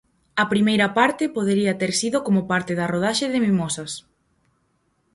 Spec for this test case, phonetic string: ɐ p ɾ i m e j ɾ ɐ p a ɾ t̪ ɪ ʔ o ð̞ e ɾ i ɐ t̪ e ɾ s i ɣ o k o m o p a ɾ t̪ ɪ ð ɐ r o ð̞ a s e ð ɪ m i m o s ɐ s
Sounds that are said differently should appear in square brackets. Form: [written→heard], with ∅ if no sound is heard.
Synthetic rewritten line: ɐ p ɾ i m e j ɾ ɐ p a ɾ t̪ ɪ [ʔ→p] o ð̞ e ɾ i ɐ t̪ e ɾ s i [ɣ→ð] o k o m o p a ɾ t̪ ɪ ð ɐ r o ð̞ a [s→ʃ] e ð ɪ m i m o s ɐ s